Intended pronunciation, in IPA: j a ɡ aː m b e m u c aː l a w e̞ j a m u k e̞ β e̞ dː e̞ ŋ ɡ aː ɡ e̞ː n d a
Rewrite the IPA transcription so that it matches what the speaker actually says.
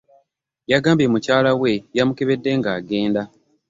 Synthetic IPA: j a ɡ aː m b e m u c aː l a w e̞ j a m u k e̞ β e̞ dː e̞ ŋ ɡ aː ɡ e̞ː n d a